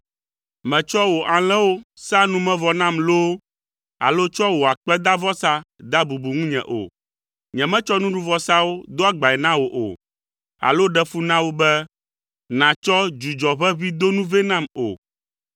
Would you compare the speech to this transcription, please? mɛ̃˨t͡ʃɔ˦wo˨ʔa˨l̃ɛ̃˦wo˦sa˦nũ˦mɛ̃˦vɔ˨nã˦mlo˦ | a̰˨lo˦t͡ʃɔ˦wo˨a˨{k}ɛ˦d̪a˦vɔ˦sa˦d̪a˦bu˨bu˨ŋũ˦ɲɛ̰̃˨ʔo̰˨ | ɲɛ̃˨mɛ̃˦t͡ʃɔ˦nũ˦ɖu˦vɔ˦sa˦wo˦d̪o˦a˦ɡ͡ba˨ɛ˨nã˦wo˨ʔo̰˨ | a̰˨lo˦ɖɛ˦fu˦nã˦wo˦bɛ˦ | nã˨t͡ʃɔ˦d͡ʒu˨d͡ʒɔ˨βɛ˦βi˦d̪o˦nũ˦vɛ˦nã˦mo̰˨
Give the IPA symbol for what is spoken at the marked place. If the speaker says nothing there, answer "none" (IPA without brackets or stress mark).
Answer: k͡p